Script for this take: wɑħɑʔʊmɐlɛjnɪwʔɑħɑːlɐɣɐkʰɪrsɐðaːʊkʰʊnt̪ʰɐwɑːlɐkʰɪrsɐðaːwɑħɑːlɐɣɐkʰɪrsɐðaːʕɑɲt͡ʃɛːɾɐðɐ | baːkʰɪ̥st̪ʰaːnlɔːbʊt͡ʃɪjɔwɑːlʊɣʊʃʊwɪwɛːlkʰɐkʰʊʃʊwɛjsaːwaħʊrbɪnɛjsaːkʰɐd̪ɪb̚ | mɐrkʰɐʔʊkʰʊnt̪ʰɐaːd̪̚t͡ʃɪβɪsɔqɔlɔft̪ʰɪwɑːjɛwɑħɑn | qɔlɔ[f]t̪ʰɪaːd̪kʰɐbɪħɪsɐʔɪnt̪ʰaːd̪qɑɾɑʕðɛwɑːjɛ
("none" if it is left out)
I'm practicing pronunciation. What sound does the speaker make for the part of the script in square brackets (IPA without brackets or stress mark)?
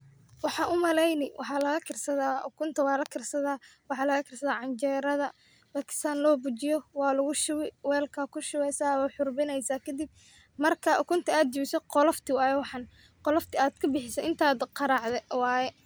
f